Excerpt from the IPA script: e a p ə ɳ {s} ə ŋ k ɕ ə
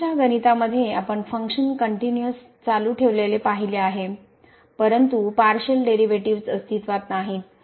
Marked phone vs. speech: incorrect: f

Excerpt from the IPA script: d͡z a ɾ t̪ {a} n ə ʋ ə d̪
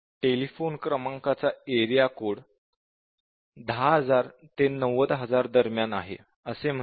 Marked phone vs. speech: incorrect: e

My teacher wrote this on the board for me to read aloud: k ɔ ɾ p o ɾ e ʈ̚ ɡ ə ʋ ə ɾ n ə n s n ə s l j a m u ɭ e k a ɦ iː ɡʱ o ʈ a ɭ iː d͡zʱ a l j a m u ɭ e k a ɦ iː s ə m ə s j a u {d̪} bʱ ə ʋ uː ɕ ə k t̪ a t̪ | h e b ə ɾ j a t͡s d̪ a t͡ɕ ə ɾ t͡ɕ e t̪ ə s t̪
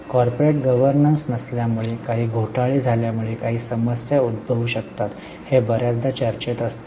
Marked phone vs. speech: correct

